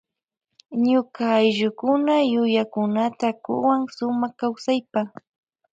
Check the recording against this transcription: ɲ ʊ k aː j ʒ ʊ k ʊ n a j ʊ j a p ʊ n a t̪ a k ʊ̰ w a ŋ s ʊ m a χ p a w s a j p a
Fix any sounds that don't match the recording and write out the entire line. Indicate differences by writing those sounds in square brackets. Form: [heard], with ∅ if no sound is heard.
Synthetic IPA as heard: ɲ ʊ k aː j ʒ ʊ k ʊ n a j ʊ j a [k] ʊ n a t̪ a k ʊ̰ w a ŋ s ʊ m a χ [k] a w s a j p a